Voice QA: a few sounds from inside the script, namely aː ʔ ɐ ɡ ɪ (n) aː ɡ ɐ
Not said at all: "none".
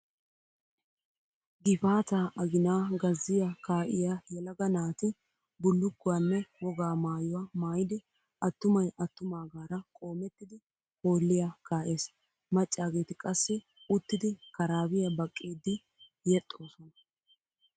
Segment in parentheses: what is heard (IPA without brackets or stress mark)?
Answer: n